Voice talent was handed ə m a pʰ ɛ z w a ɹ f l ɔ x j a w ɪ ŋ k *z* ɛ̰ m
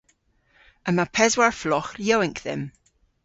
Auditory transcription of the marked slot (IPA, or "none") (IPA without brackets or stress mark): ð